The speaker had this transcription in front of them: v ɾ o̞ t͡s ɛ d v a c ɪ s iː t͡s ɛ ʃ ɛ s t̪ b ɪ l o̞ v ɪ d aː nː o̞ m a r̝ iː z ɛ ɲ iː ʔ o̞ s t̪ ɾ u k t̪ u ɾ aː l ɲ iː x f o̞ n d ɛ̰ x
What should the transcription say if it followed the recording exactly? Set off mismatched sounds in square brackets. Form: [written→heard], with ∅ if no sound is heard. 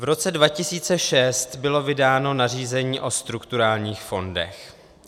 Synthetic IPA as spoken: v ɾ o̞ t͡s ɛ d v a c ɪ s iː t͡s ɛ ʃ ɛ s t̪ b ɪ l o̞ v ɪ d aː [nː→n] o̞ [m→n] a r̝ iː z ɛ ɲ iː ʔ o̞ s t̪ ɾ u k t̪ u ɾ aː l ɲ iː x f o̞ n d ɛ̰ x